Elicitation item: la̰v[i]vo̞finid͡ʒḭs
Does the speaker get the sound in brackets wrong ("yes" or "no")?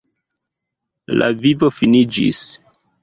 no